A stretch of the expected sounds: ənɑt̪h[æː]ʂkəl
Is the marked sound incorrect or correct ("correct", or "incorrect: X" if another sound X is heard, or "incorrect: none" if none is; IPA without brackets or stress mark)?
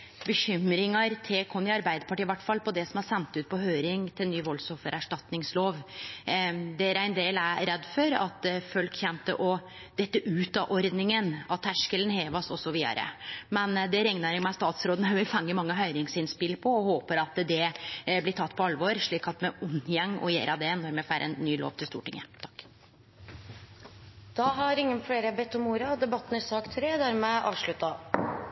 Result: incorrect: æ